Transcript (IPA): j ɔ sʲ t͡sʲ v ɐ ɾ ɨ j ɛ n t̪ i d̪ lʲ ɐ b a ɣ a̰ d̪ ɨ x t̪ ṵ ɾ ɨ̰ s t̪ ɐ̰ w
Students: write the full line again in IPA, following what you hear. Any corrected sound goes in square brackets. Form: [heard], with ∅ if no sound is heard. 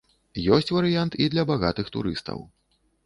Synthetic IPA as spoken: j ɔ sʲ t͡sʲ v ɐ ɾ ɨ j [a] n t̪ i d̪ lʲ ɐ b a ɣ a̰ [t̪] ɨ x t̪ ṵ ɾ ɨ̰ s t̪ ɐ̰ w

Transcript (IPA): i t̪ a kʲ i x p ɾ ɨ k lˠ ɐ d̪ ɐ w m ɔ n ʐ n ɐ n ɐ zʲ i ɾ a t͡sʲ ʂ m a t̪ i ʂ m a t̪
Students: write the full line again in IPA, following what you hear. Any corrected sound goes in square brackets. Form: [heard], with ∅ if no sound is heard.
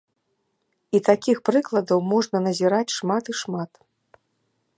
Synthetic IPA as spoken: i t̪ a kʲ i x p ɾ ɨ k lˠ ɐ d̪ ɐ w m ɔ [∅] ʐ n ɐ n ɐ zʲ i ɾ a t͡sʲ ʂ m a t̪ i ʂ m a t̪

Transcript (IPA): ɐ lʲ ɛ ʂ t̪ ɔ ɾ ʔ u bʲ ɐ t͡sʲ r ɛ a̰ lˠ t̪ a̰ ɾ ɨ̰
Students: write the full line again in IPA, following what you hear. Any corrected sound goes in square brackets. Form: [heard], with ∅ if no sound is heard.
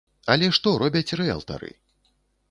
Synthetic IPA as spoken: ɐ lʲ ɛ ʂ t̪ ɔ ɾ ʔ [ɔ] bʲ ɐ t͡sʲ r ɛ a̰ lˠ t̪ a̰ ɾ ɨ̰

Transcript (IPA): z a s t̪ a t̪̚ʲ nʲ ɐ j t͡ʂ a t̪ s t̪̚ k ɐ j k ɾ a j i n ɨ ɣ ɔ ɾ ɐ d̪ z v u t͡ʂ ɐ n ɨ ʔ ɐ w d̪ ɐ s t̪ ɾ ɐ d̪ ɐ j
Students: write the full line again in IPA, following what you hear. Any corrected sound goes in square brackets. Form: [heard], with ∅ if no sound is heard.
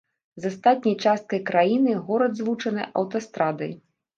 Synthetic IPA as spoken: z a s t̪ a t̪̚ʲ nʲ ɐ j t͡ʂ a [∅] s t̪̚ k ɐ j k ɾ a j i n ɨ ɣ ɔ ɾ ɐ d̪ z v u t͡ʂ ɐ n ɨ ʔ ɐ w [t̪] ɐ s t̪ ɾ [a] d̪ ɐ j

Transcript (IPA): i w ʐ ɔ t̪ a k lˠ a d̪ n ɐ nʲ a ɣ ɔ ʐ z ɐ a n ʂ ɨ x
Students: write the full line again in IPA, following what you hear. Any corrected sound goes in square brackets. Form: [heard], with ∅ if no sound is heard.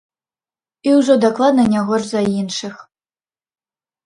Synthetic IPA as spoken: i w ʐ ɔ [d̪] a k lˠ a d̪ n ɐ nʲ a ɣ ɔ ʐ z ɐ [i] n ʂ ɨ x

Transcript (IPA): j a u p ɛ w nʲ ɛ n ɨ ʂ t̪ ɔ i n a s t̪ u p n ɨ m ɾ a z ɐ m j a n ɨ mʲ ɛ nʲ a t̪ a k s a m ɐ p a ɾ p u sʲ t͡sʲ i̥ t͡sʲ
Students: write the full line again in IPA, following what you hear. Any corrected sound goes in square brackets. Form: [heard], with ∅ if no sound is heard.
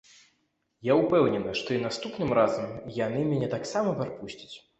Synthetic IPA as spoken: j a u p ɛ w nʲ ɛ n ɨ ʂ t̪ ɔ i n a s t̪ u p n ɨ m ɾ a z ɐ m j a n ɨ mʲ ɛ nʲ [ɛ] t̪ a k s a m ɐ p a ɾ p u sʲ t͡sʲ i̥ t͡sʲ

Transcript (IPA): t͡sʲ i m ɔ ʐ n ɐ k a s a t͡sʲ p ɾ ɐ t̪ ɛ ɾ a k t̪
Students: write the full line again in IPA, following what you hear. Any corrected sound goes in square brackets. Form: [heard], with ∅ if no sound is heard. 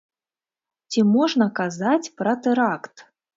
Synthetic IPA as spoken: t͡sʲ i m ɔ ʐ n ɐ k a [z] a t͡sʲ p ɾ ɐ t̪ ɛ ɾ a k t̪

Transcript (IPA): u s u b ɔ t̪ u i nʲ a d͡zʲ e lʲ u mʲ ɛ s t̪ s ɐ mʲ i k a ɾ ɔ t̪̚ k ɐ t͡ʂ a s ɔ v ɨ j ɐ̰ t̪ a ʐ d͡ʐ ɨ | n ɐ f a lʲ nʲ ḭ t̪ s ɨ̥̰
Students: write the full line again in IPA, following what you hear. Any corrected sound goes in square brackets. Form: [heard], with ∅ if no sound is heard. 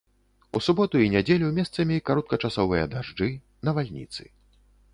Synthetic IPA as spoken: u s u b ɔ t̪ u i nʲ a d͡zʲ e lʲ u mʲ ɛ s t̪ s ɐ mʲ i k a ɾ ɔ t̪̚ k ɐ t͡ʂ a s ɔ v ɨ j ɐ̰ [d̪] a ʐ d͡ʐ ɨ | n ɐ [v] a lʲ nʲ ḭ t̪ s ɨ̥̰

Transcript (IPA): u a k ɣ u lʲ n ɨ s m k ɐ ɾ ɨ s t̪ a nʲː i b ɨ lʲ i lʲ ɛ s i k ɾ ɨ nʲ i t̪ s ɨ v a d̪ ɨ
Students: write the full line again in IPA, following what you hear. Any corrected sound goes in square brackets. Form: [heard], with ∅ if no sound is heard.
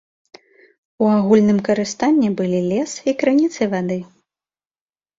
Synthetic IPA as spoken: u a [∅] ɣ u lʲ n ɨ [∅] m k ɐ ɾ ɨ s t̪ a nʲː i b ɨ lʲ i lʲ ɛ s i k ɾ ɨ nʲ i t̪ s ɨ v a d̪ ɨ

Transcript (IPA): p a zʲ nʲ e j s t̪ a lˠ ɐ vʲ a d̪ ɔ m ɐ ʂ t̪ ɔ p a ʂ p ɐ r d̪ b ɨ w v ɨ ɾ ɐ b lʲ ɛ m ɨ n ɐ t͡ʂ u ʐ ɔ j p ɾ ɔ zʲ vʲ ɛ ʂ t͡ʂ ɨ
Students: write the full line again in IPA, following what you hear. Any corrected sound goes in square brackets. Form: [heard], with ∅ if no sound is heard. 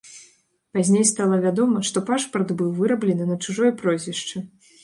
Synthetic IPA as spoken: p a zʲ nʲ e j s t̪ a lˠ ɐ vʲ a d̪ ɔ m ɐ ʂ t̪ ɔ p a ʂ p ɐ r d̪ b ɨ w v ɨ ɾ ɐ b lʲ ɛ [n] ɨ n ɐ t͡ʂ u ʐ ɔ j p ɾ ɔ zʲ vʲ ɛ ʂ t͡ʂ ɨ

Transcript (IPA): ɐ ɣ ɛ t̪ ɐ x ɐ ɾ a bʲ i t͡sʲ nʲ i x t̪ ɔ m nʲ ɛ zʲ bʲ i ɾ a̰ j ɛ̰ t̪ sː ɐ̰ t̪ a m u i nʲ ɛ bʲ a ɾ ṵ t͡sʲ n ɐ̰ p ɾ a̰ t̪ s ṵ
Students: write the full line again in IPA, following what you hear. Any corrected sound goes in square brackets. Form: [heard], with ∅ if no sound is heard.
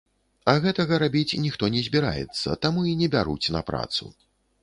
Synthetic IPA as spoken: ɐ ɣ ɛ t̪ ɐ [ɣ] ɐ ɾ a bʲ i t͡sʲ nʲ i x t̪ ɔ [∅] nʲ ɛ zʲ bʲ i ɾ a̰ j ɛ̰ t̪ sː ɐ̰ t̪ a m u i nʲ ɛ bʲ a ɾ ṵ t͡sʲ n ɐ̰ p ɾ a̰ t̪ s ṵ

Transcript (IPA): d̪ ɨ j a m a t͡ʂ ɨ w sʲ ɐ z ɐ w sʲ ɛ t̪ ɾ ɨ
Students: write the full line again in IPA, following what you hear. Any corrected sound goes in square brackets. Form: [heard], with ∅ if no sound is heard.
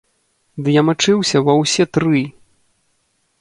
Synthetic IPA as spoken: d̪ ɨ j a m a t͡ʂ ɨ w sʲ ɐ [v] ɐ w sʲ ɛ t̪ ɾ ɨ

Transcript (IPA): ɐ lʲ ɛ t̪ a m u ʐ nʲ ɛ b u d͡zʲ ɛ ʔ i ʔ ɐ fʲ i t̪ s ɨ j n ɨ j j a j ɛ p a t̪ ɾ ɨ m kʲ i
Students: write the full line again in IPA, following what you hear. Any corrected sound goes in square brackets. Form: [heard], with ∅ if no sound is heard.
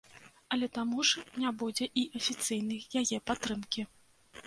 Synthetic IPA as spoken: ɐ lʲ ɛ t̪ a m u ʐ nʲ [a] b u d͡zʲ ɛ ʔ i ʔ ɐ fʲ i t̪ s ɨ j n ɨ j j a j ɛ p a t̪ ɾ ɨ m kʲ i

